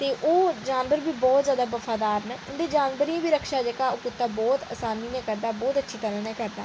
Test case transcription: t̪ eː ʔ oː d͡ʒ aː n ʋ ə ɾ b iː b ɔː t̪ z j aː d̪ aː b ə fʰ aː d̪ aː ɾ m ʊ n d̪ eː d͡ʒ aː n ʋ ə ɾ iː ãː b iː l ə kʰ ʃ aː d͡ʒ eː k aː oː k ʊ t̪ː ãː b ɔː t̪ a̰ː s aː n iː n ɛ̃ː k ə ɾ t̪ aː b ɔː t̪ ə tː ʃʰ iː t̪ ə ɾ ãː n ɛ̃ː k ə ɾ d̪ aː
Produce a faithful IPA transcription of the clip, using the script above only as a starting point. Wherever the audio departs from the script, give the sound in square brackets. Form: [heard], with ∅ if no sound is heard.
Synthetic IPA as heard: t̪ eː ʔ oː d͡ʒ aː n ʋ ə ɾ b iː b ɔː t̪ z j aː d̪ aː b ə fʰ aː d̪ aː ɾ [n] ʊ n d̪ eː d͡ʒ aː n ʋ ə ɾ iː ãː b iː [ɾ] ə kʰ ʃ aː d͡ʒ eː k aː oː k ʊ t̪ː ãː b ɔː t̪ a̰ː s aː n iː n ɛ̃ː k ə ɾ [d̪] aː b ɔː t̪ ə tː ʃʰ iː t̪ ə ɾ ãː n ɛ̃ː k ə ɾ d̪ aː

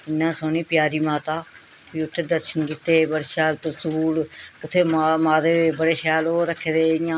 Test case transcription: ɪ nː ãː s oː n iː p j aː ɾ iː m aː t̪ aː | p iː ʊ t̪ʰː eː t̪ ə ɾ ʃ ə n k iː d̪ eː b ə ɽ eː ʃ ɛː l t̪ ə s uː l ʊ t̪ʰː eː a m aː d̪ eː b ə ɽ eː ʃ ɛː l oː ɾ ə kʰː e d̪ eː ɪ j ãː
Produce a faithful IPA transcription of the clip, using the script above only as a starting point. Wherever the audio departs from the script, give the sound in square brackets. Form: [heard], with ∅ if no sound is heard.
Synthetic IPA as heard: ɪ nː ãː s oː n iː p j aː ɾ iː m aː t̪ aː | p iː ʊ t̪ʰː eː [d̪] ə ɾ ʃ ə n k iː [t̪] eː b ə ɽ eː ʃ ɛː l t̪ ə s uː l ʊ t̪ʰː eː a m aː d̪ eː b ə ɽ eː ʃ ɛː l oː ɾ ə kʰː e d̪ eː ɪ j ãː

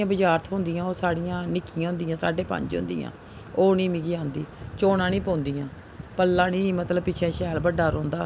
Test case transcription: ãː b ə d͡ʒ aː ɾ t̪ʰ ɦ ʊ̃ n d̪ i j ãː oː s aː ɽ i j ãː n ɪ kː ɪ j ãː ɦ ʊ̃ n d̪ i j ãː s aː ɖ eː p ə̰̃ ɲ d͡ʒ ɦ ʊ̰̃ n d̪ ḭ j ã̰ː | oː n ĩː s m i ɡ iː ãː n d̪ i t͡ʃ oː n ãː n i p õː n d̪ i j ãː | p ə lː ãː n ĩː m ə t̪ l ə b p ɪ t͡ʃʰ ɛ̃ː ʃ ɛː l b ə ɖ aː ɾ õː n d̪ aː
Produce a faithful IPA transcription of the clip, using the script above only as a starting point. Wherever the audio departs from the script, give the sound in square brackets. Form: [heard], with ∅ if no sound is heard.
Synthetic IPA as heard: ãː b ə d͡ʒ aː ɾ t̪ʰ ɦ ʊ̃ n d̪ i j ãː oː s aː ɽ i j ãː n ɪ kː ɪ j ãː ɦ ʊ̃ n d̪ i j ãː s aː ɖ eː p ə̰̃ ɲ d͡ʒ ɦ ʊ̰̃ n d̪ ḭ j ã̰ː | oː n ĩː [∅] m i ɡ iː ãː n d̪ [iː] t͡ʃ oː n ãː n [iː] p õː n d̪ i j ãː | p ə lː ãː n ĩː m ə t̪ l ə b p ɪ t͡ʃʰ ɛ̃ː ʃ ɛː l b ə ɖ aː ɾ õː n d̪ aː

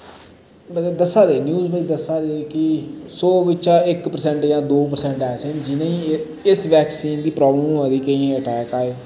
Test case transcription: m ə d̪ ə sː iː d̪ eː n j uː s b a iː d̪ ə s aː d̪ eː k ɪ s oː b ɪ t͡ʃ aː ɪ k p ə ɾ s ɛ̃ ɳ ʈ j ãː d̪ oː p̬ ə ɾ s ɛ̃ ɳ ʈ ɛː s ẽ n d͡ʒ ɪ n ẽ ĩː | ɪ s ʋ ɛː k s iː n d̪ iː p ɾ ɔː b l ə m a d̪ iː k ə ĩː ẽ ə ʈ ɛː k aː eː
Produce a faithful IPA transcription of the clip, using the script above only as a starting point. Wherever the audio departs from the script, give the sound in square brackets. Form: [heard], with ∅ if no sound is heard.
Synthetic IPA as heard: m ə d̪ ə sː [aː] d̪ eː n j uː [z] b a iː d̪ ə s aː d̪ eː k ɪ s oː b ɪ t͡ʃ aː ɪ k p ə ɾ s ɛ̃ ɳ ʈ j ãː d̪ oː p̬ ə ɾ s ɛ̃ ɳ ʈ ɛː s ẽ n d͡ʒ ɪ n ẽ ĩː | ɪ s ʋ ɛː k s iː n d̪ iː p ɾ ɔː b l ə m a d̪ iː k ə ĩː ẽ ə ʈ ɛː k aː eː

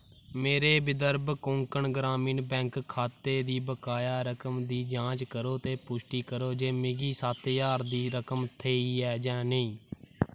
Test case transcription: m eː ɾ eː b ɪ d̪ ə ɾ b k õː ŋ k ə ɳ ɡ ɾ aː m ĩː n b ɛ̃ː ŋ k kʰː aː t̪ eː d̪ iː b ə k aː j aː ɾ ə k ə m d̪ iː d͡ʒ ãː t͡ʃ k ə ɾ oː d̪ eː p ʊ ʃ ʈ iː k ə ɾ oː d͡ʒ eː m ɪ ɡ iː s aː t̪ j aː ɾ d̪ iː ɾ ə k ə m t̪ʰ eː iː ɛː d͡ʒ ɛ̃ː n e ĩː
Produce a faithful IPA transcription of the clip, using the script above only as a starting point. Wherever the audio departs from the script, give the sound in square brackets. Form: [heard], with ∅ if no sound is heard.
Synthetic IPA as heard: m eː ɾ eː b ɪ d̪ ə ɾ b k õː ŋ k ə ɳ ɡ ɾ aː m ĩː n b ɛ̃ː ŋ k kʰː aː t̪ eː d̪ iː b ə k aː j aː ɾ ə k ə m d̪ iː d͡ʒ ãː t͡ʃ k ə ɾ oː [t̪] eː p ʊ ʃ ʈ iː k ə ɾ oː d͡ʒ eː m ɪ ɡ iː s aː t̪ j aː ɾ d̪ iː ɾ ə k ə m t̪ʰ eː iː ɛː d͡ʒ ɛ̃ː n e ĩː

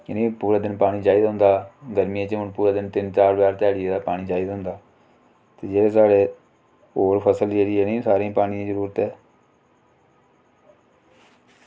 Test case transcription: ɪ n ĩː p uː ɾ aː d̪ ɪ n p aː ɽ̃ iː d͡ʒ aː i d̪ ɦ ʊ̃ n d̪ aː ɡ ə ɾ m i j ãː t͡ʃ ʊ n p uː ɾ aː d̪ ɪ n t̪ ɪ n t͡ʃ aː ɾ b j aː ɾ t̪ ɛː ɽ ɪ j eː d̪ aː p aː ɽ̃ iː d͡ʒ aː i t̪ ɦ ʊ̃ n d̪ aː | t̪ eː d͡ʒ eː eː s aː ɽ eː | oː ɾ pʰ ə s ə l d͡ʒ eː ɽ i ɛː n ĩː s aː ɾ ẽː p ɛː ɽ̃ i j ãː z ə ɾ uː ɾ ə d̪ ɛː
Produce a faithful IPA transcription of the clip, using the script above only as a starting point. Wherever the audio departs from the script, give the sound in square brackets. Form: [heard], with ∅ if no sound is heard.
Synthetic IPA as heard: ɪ n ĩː p uː ɾ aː d̪ ɪ n p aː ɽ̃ iː d͡ʒ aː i d̪ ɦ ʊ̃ n d̪ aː ɡ ə ɾ m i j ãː t͡ʃ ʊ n p uː ɾ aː d̪ ɪ n t̪ ɪ n t͡ʃ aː ɾ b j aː ɾ t̪ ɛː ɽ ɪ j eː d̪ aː p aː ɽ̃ iː d͡ʒ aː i [d̪] ɦ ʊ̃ n d̪ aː | t̪ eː d͡ʒ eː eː s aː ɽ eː | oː ɾ pʰ ə s ə l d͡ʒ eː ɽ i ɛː n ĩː s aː ɾ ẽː p [aː] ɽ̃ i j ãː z ə ɾ uː ɾ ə [t̪] ɛː

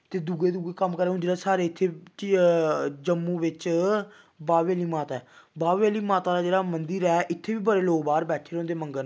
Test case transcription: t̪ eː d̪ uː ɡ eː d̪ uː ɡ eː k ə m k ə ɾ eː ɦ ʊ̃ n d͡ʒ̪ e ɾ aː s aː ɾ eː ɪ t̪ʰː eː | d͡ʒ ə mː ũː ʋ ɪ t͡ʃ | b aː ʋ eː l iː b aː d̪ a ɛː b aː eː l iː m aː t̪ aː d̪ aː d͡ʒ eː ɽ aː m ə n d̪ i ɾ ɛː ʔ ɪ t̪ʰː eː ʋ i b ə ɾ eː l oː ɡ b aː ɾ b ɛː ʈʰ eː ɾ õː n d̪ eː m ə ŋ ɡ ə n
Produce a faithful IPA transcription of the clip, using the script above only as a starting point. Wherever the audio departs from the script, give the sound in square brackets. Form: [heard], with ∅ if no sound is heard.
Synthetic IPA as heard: t̪ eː d̪ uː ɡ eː d̪ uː ɡ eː k ə m k ə ɾ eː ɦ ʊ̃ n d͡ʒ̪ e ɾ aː s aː ɾ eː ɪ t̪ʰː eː | d͡ʒ ə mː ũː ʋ ɪ t͡ʃ | b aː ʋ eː l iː [m] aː [t̪] a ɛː b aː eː l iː m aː t̪ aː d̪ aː d͡ʒ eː ɽ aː m ə n d̪ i ɾ ɛː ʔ ɪ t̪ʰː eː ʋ [iː] b ə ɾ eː l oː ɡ b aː ɾ b ɛː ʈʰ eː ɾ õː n d̪ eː m ə ŋ ɡ ə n

